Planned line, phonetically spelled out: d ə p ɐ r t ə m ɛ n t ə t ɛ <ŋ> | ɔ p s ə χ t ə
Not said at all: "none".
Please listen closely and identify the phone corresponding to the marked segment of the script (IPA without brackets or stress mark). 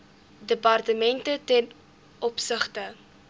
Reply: n